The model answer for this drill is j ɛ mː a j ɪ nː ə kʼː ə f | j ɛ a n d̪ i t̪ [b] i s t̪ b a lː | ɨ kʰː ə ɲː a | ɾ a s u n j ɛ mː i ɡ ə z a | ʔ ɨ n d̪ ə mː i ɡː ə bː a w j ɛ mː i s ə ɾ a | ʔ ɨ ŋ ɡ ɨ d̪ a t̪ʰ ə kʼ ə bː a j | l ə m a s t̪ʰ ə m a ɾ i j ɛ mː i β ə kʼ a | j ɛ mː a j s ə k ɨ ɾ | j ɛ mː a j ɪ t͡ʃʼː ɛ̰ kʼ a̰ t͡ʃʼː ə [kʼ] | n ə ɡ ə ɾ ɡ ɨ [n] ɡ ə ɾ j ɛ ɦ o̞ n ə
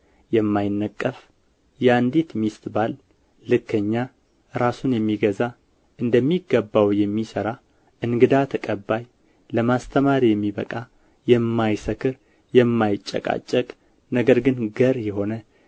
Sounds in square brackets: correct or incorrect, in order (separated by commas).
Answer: incorrect, correct, correct